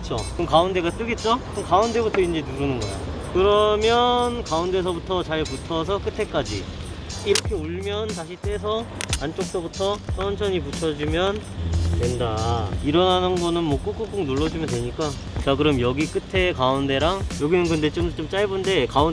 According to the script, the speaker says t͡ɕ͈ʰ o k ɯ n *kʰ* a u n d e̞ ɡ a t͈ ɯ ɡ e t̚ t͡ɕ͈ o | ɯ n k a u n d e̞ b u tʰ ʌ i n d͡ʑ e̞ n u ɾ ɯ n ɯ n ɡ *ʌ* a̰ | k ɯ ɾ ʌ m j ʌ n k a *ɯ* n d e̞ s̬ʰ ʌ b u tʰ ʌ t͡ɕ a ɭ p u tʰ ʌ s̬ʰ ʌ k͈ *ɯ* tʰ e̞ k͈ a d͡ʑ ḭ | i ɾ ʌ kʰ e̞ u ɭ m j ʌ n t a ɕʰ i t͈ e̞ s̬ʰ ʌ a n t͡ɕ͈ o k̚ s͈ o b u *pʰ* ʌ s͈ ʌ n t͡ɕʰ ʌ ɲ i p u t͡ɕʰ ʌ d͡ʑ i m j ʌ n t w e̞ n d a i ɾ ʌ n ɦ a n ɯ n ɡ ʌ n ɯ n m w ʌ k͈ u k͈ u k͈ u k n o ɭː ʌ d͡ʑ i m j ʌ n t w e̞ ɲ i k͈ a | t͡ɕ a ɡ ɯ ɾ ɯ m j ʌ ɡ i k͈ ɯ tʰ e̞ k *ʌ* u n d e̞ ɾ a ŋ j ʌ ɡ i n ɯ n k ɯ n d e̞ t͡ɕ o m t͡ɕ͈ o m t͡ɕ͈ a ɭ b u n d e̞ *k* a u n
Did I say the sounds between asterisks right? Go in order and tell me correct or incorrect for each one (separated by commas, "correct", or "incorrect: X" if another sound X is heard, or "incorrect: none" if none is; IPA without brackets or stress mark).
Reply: incorrect: k, correct, incorrect: u, correct, incorrect: tʰ, incorrect: a, correct